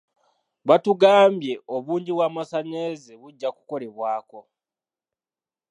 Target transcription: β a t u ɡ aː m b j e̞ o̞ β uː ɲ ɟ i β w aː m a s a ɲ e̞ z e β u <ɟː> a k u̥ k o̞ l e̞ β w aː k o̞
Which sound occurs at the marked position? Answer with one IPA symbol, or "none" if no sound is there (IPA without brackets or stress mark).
ɟː